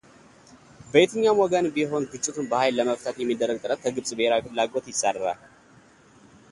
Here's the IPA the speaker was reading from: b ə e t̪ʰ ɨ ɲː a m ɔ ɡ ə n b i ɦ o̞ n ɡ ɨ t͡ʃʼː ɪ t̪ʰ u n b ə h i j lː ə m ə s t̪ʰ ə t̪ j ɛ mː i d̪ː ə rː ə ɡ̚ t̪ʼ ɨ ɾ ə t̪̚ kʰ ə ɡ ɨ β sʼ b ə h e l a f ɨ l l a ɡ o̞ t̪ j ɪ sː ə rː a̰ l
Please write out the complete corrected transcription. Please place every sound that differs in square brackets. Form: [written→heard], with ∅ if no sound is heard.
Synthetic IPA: b ə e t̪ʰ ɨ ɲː a m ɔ ɡ ə n b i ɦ o̞ n ɡ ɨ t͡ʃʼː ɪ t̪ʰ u n b ə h [i→a] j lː ə m ə [s→f] t̪ʰ ə t̪ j ɛ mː i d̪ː ə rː ə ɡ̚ t̪ʼ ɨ ɾ ə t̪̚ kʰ ə ɡ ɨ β sʼ b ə h e [l→ɾ] a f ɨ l l a ɡ o̞ t̪ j ɪ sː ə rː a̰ l